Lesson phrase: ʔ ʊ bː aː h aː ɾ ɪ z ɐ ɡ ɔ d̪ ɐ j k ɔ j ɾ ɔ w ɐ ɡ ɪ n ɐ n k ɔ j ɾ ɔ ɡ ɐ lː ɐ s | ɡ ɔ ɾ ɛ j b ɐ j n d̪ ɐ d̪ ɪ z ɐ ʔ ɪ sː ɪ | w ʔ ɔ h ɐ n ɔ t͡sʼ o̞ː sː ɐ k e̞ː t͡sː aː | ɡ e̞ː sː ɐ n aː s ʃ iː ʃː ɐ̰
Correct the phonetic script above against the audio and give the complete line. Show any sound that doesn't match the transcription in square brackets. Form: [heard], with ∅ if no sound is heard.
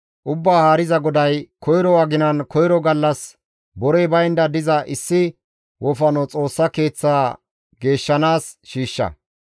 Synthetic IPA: ʔ ʊ bː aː h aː ɾ ɪ z ɐ ɡ ɔ d̪ ɐ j k ɔ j ɾ ɔ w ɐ ɡ ɪ n ɐ n k ɔ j ɾ ɔ ɡ ɐ lː ɐ s | [b] ɔ ɾ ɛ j b ɐ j n d̪ ɐ d̪ ɪ z ɐ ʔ ɪ sː ɪ | w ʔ ɔ [f] ɐ n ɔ t͡sʼ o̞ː sː ɐ k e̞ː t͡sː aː | ɡ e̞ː [ʃː] ɐ n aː s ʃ iː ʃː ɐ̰

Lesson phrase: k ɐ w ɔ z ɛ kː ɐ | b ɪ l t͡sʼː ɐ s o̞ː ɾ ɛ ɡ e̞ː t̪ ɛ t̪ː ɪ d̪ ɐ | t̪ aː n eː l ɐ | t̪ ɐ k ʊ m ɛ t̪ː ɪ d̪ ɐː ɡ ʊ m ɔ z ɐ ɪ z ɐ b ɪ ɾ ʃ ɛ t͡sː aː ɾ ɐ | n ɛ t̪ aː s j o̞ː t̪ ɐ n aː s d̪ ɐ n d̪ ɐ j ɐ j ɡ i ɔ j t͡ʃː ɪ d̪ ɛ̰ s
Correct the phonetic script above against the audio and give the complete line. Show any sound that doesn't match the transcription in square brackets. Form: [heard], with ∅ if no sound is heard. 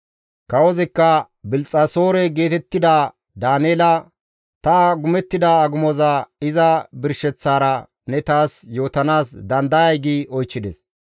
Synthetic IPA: k ɐ w ɔ z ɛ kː ɐ | b ɪ l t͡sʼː ɐ s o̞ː ɾ ɛ ɡ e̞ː t̪ ɛ t̪ː ɪ d̪ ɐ | [d̪] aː n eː l ɐ | t̪ ɐ [ɡ] ʊ m ɛ t̪ː ɪ d̪ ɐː ɡ ʊ m ɔ z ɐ ɪ z ɐ b ɪ ɾ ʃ ɛ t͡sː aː ɾ ɐ | n ɛ t̪ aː s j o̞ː t̪ ɐ n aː s d̪ ɐ n d̪ ɐ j ɐ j ɡ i ɔ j t͡ʃː ɪ d̪ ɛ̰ s

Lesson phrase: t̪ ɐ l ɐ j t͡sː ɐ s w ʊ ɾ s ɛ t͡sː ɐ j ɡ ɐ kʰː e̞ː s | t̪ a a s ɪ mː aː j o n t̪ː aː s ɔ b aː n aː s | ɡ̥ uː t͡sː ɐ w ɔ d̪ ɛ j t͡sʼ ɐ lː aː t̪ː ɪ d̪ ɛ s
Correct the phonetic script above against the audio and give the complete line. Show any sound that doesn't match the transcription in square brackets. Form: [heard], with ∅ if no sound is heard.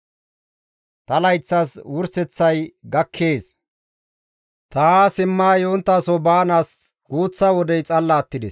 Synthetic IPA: t̪ ɐ l ɐ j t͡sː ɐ s w ʊ ɾ s ɛ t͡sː ɐ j ɡ ɐ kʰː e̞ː s | t̪ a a s ɪ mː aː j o n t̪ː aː s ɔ b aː n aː s | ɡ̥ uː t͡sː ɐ w ɔ d̪ ɛ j t͡sʼ ɐ lː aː t̪ː ɪ d̪ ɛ s

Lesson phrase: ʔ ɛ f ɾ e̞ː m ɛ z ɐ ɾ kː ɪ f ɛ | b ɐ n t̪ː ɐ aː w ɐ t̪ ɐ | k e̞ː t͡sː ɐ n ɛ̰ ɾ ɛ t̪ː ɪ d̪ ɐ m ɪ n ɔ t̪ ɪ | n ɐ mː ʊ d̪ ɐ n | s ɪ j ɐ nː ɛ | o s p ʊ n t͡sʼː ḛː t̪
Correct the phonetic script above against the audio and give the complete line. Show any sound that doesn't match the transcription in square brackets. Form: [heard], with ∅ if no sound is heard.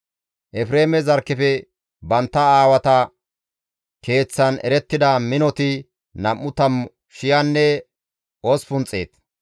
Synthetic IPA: ʔ ɛ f ɾ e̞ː m ɛ z ɐ ɾ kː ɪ f ɛ | b ɐ n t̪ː ɐ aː w ɐ t̪ ɐ | k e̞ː t͡sː ɐ n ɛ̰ ɾ ɛ t̪ː ɪ d̪ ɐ m ɪ n ɔ t̪ ɪ | n ɐ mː ʊ [t̪] ɐ [m] | [ʃ] ɪ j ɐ nː ɛ | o s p ʊ n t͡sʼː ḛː t̪

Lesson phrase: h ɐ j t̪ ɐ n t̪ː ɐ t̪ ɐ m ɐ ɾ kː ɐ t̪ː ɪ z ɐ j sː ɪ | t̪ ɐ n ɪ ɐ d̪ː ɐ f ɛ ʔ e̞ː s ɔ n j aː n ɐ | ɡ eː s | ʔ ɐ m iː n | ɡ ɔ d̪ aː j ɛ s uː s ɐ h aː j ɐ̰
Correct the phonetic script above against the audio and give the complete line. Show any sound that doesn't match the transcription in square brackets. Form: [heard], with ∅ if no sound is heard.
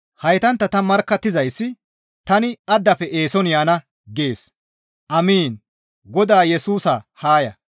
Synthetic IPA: h ɐ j t̪ ɐ n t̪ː ɐ t̪ ɐ m ɐ ɾ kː ɐ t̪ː ɪ z ɐ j sː ɪ | t̪ ɐ n ɪ ɐ d̪ː ɐ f ɛ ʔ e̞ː s ɔ n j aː n ɐ | ɡ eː s | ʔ ɐ m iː n | ɡ ɔ d̪ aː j ɛ s uː s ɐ h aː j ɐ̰

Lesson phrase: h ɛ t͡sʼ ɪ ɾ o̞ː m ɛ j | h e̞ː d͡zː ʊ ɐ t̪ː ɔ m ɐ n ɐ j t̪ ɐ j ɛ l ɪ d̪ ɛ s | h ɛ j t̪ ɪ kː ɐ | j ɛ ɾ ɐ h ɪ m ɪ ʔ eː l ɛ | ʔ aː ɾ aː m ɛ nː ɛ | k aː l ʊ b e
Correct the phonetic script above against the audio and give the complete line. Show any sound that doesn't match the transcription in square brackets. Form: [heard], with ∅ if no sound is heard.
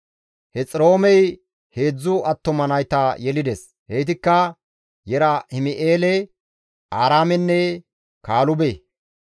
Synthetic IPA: h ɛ t͡sʼ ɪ ɾ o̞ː m ɛ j | h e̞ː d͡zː ʊ ɐ t̪ː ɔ m ɐ n ɐ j t̪ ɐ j ɛ l ɪ d̪ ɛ s | h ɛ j t̪ ɪ kː ɐ | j ɛ ɾ ɐ h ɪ m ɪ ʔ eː l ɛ | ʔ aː ɾ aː m ɛ nː ɛ | k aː l ʊ b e

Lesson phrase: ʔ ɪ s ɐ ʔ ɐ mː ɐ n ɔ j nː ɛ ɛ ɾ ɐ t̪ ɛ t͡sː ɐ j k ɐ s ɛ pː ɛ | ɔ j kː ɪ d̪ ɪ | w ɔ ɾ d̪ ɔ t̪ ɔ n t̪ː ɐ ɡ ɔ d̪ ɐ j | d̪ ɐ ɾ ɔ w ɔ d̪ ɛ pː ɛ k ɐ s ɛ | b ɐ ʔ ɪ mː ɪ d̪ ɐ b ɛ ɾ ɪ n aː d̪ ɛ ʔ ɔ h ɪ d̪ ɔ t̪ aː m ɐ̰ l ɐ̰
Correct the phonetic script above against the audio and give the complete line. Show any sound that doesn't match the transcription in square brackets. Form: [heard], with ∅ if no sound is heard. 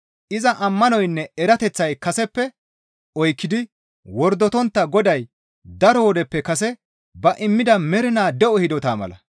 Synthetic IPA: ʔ ɪ [z] ɐ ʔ ɐ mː ɐ n ɔ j nː ɛ ɛ ɾ ɐ t̪ ɛ t͡sː ɐ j k ɐ s ɛ pː ɛ | ɔ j kː ɪ d̪ ɪ | w ɔ ɾ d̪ ɔ t̪ ɔ n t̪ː ɐ ɡ ɔ d̪ ɐ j | d̪ ɐ ɾ ɔ w ɔ d̪ ɛ pː ɛ k ɐ s ɛ | b ɐ ʔ ɪ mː ɪ d̪ ɐ [m] ɛ ɾ ɪ n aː d̪ ɛ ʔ ɔ h ɪ d̪ ɔ t̪ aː m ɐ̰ l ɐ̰

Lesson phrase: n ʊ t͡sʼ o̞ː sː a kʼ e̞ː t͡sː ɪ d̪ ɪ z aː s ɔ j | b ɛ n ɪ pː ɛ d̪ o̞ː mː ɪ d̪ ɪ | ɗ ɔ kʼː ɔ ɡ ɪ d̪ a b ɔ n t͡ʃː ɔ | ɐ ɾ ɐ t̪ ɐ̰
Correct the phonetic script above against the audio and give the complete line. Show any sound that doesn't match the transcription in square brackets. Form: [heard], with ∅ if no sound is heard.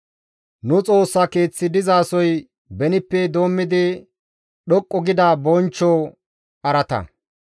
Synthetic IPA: n ʊ t͡sʼ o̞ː sː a [k] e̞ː t͡sː ɪ d̪ ɪ z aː s ɔ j | b ɛ n ɪ pː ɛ d̪ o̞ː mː ɪ d̪ ɪ | ɗ ɔ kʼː ɔ ɡ ɪ d̪ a b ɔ n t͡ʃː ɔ | ɐ ɾ ɐ t̪ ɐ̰

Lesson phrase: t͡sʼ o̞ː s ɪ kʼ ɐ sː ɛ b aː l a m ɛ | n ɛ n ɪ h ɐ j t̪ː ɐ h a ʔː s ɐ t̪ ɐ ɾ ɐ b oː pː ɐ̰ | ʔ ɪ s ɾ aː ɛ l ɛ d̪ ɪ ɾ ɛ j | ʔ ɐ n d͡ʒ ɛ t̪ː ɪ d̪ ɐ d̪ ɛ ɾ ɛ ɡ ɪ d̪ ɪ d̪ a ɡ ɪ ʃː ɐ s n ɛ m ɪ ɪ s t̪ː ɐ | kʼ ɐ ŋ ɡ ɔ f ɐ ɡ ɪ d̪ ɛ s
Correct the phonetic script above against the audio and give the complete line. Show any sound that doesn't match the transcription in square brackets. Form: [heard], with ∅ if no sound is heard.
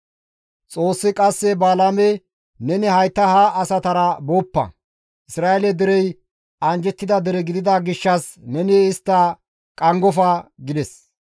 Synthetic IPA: t͡sʼ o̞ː [sː] ɪ kʼ ɐ sː ɛ b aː l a m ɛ | n ɛ n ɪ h ɐ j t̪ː ɐ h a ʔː s ɐ t̪ ɐ ɾ ɐ b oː pː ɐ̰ | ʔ ɪ s ɾ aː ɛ l ɛ d̪ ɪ ɾ ɛ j | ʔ ɐ n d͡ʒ ɛ t̪ː ɪ d̪ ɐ d̪ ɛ ɾ ɛ ɡ ɪ d̪ ɪ d̪ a ɡ ɪ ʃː ɐ s n ɛ [n] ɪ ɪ s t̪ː ɐ | kʼ ɐ ŋ ɡ ɔ f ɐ ɡ ɪ d̪ ɛ s

